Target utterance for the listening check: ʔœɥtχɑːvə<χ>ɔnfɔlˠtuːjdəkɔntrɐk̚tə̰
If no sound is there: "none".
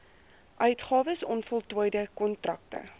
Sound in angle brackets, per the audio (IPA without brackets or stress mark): s